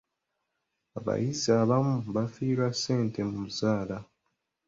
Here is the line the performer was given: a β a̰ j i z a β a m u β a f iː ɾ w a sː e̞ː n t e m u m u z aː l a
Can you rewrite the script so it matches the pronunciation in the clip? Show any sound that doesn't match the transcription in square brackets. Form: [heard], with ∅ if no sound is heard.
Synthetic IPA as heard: a β a̰ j i z a β a m u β a f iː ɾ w a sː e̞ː n t e m u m u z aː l a